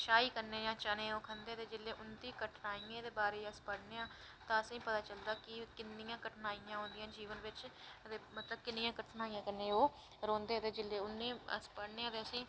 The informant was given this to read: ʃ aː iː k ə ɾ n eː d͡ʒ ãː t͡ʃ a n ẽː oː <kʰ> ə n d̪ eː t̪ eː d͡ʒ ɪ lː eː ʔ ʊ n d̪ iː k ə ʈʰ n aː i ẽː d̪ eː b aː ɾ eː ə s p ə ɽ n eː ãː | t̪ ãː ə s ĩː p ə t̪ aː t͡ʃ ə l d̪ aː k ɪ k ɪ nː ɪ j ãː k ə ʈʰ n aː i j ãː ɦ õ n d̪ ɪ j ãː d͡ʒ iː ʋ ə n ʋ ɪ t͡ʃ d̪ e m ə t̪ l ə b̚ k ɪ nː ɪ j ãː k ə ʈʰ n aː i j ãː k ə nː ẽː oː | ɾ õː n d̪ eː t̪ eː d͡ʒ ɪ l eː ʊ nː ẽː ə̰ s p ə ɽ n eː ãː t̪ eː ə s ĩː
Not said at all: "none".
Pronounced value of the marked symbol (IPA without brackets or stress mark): kʰ